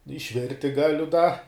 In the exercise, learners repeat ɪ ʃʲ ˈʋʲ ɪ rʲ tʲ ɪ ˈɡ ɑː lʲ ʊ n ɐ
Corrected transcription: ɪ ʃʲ ˈʋʲ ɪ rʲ tʲ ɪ ˈɡ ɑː lʲ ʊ d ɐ